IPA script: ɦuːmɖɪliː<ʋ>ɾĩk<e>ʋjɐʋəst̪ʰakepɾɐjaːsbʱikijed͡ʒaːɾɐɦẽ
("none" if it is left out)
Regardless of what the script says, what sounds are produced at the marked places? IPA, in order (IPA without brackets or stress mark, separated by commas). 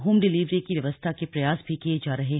ʋ, i